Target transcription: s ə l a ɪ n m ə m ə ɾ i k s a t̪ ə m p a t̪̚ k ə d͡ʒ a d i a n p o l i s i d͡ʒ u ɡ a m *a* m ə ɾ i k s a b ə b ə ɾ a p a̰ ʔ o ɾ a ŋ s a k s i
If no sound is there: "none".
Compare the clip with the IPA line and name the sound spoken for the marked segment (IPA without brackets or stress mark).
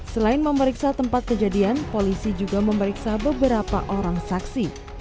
ə